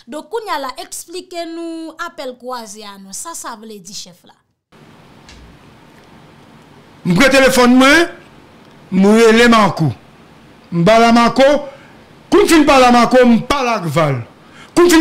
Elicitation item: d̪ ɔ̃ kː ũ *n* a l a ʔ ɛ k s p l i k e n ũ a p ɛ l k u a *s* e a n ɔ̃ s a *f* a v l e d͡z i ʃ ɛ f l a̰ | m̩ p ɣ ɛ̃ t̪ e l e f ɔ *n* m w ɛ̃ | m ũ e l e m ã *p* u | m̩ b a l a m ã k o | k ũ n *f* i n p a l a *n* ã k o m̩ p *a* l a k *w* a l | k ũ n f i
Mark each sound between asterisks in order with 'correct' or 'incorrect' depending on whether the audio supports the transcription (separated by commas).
incorrect, incorrect, incorrect, correct, incorrect, correct, incorrect, correct, incorrect